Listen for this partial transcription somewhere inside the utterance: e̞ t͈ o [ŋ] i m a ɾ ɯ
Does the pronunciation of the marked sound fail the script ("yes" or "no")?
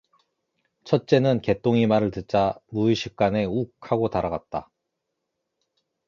no